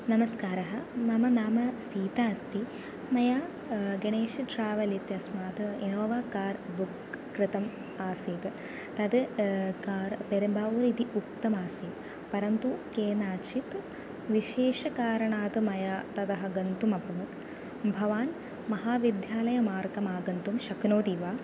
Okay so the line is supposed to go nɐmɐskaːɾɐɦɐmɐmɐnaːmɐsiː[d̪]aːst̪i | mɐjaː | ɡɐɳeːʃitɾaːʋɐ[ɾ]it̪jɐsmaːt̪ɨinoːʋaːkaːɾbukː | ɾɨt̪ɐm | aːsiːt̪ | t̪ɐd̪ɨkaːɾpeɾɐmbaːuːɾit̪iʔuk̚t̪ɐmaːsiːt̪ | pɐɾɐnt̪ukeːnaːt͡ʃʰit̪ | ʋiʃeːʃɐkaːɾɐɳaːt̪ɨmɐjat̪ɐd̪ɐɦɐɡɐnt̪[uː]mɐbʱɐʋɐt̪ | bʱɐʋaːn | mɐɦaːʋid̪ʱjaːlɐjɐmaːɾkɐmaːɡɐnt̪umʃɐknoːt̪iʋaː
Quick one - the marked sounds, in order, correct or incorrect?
incorrect: t̪, incorrect: l, incorrect: u

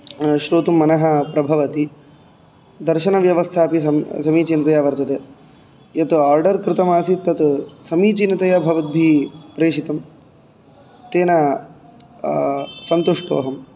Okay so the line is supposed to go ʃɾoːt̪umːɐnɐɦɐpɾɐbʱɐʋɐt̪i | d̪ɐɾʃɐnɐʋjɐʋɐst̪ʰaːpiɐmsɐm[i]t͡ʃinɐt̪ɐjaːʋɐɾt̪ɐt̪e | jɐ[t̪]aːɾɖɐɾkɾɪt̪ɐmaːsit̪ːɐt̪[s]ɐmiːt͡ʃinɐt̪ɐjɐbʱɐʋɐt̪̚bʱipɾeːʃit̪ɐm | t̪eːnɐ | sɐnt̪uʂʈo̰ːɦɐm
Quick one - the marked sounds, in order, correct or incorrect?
incorrect: iː, correct, correct

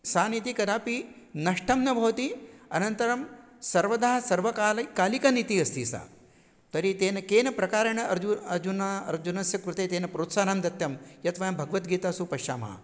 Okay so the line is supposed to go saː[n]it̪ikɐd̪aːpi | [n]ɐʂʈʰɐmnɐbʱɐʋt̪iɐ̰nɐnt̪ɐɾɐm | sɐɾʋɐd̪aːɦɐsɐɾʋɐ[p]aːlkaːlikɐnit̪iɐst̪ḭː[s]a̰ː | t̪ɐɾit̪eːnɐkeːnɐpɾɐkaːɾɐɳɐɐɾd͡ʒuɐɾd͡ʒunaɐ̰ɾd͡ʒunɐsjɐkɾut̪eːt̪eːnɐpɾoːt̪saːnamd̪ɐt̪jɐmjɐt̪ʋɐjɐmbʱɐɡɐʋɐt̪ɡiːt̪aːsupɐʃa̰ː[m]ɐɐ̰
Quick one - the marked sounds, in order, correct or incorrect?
correct, correct, incorrect: k, correct, correct

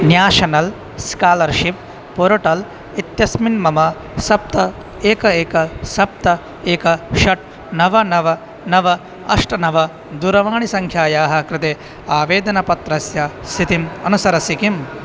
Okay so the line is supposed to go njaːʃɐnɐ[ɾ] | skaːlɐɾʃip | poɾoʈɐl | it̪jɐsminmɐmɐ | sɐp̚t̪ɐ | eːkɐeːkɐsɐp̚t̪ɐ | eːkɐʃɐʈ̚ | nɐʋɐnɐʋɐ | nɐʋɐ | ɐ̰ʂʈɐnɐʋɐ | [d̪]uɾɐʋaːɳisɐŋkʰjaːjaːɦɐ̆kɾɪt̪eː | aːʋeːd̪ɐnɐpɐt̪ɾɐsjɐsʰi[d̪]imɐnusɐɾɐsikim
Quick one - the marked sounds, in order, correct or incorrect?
incorrect: l, correct, incorrect: t̪

